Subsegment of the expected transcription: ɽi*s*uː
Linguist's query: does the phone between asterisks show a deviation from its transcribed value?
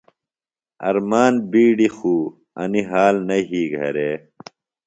yes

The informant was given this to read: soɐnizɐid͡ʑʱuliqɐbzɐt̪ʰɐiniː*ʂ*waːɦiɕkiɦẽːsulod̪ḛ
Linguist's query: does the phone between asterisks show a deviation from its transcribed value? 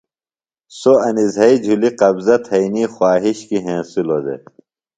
yes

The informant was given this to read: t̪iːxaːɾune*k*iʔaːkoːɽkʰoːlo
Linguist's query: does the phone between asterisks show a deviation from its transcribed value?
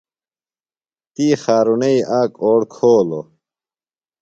yes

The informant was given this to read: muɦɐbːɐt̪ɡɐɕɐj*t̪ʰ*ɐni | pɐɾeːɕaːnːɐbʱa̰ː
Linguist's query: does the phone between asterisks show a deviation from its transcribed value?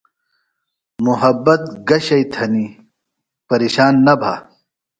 no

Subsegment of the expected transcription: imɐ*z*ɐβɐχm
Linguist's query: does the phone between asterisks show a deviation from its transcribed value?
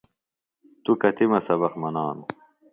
yes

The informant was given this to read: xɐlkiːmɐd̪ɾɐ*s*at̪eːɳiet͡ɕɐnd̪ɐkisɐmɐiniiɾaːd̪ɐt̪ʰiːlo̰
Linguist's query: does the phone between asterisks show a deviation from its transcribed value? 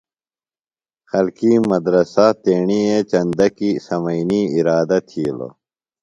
no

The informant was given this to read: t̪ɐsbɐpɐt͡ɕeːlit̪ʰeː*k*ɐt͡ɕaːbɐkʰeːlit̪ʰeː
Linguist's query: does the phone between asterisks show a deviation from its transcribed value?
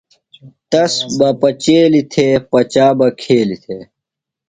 yes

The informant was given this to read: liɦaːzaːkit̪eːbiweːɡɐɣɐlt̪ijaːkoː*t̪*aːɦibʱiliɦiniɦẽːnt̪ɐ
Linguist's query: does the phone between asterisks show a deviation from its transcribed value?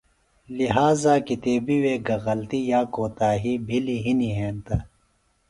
no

